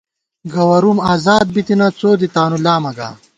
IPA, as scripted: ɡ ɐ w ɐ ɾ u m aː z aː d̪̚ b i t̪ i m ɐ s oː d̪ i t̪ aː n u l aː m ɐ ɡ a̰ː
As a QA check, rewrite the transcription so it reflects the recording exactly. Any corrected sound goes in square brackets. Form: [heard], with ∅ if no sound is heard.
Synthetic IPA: ɡ ɐ w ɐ ɾ u m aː z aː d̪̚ b i t̪ i [n] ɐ [t͡s] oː d̪ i t̪ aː n u l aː m ɐ ɡ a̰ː